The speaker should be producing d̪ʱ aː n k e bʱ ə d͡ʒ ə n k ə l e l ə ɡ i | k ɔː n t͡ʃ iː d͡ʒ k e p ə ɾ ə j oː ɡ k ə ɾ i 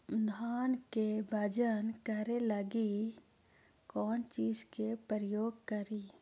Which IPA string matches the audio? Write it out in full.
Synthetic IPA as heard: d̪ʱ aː n k e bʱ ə d͡ʒ ə n k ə ɾ e l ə ɡ i | k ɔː n t͡ʃ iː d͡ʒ k e p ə ɾ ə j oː ɡ k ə ɾ i